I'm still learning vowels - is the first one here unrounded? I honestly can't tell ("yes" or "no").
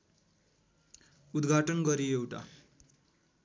no